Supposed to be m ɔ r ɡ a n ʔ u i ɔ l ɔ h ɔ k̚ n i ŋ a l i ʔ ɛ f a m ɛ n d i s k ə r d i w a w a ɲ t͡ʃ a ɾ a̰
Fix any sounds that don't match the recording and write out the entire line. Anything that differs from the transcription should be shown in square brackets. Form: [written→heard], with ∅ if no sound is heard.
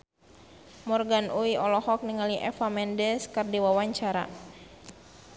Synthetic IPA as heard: m ɔ r ɡ a n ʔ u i ɔ l ɔ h ɔ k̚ n i ŋ a l i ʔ ɛ f a m ɛ n d [i→ɛ] s k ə r d i w a w a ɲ t͡ʃ a ɾ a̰